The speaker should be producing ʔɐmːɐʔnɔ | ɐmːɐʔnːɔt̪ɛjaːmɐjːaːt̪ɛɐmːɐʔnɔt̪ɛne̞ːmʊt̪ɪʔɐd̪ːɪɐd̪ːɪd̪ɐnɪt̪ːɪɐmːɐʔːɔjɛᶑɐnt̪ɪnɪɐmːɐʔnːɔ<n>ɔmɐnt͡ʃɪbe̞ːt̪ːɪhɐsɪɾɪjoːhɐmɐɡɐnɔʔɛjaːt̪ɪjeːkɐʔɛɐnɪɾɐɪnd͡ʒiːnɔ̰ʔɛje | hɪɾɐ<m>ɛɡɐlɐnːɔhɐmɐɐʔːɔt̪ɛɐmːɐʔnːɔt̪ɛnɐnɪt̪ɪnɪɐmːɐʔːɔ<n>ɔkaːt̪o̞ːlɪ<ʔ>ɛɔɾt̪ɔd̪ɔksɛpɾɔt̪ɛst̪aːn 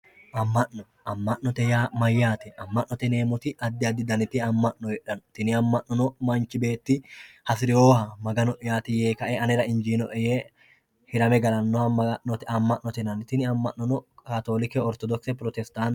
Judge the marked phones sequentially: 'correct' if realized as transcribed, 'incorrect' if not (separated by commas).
correct, correct, correct, incorrect